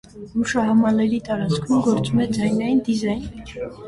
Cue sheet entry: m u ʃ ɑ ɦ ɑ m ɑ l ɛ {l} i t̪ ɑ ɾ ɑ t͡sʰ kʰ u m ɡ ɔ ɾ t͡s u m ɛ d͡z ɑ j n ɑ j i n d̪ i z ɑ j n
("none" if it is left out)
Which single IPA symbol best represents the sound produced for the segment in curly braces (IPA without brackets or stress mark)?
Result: ɾ